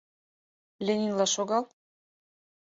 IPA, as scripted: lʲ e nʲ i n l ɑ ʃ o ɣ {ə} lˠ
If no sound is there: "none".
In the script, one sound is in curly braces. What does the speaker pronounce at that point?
ɑ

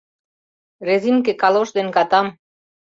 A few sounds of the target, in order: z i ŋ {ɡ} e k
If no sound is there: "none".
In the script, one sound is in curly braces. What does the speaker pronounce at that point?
k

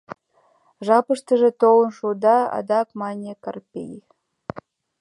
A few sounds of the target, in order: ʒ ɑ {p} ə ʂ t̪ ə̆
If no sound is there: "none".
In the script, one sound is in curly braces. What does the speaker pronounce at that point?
p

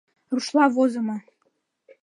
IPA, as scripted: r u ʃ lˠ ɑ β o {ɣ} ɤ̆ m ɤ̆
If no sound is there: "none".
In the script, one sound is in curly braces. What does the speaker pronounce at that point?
z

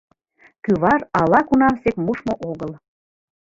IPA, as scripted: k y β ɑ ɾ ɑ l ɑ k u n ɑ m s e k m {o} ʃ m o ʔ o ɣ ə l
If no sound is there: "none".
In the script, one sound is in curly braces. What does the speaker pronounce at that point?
u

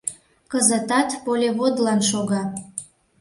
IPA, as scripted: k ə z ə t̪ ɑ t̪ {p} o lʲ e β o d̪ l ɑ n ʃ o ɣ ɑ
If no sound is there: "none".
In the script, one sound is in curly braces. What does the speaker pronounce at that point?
p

